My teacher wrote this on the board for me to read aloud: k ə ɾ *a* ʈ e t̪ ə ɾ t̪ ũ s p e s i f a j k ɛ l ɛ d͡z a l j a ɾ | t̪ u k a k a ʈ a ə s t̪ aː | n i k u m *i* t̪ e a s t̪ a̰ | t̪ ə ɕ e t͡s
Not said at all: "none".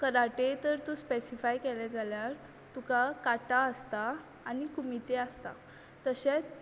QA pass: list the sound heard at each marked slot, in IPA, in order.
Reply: a, i

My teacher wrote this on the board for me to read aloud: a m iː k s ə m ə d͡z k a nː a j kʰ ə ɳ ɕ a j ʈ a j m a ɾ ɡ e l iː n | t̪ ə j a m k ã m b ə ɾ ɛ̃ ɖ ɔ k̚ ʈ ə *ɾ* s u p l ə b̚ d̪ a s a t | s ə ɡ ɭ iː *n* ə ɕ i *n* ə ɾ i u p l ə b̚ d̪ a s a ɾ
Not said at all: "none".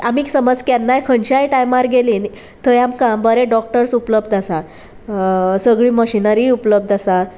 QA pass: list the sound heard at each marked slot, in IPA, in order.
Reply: ɾ, m, n

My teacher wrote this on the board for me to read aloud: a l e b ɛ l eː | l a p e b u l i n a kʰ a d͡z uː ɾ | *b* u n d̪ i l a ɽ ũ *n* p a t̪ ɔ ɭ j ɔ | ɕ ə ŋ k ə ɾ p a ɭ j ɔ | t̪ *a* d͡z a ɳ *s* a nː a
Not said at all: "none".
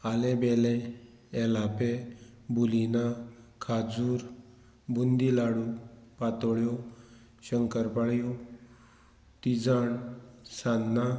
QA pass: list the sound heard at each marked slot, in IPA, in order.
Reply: b, none, i, s

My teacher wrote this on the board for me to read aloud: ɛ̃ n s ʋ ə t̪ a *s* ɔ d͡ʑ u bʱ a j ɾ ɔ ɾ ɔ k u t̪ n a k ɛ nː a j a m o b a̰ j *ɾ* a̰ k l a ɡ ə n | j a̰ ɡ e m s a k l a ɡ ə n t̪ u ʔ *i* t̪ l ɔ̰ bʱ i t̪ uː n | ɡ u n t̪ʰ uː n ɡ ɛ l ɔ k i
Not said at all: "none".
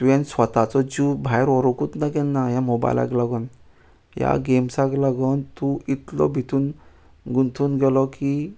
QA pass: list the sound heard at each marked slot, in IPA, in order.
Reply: t͡s, l, i

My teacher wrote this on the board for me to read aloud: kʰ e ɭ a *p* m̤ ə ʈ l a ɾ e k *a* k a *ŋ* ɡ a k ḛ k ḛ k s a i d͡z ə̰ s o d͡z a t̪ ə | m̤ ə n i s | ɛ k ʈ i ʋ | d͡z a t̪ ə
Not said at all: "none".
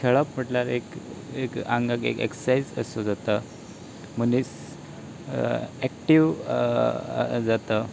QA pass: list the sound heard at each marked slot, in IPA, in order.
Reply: p, e, ŋ

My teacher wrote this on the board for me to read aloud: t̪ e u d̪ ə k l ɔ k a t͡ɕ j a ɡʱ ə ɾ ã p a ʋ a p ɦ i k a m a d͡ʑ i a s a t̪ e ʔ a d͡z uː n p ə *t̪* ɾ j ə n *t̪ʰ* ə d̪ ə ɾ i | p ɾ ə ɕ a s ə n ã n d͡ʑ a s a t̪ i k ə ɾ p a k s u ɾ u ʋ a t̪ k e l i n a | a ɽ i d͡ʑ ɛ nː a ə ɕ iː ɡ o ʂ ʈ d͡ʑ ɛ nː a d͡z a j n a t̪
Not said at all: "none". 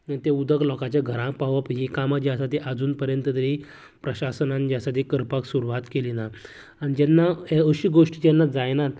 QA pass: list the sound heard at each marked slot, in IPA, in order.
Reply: none, t̪

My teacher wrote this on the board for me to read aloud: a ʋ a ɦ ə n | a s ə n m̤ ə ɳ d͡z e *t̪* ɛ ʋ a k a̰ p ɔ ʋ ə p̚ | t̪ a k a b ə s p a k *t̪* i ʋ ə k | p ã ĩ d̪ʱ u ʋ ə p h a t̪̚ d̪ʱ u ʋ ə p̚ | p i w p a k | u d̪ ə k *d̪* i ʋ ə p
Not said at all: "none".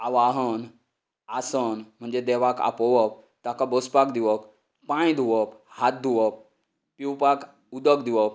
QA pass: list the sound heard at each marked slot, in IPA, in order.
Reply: d̪, d̪, d̪

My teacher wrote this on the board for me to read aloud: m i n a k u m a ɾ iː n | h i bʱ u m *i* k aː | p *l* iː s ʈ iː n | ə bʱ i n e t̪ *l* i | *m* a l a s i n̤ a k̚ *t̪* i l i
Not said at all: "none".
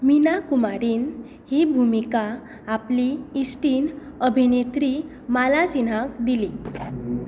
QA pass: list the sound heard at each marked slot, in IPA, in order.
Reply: i, l, ɾ, m, d̪

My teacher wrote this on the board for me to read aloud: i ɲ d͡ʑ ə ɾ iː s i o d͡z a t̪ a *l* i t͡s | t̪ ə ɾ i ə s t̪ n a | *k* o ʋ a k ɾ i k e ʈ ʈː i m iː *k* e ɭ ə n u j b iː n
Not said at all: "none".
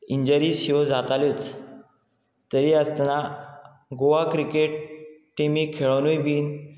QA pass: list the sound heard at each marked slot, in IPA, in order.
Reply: l, ɡ, kʰ

